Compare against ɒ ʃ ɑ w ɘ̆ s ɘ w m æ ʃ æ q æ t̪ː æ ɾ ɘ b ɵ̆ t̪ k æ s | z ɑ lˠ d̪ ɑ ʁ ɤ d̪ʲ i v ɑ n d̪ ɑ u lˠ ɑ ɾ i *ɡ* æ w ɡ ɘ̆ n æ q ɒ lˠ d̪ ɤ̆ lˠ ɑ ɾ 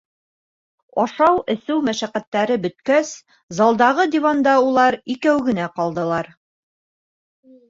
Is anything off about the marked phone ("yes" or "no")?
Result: yes